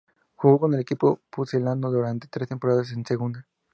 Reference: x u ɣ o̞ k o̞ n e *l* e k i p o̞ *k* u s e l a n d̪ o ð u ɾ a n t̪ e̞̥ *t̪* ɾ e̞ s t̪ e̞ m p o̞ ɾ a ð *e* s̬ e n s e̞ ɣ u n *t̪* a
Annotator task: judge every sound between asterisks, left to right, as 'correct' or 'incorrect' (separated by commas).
correct, incorrect, correct, incorrect, incorrect